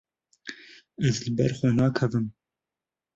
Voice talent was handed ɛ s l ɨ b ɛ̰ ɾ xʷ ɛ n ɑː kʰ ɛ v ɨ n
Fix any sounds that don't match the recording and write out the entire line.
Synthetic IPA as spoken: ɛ z l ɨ b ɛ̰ ɾ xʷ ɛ n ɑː kʰ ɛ v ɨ m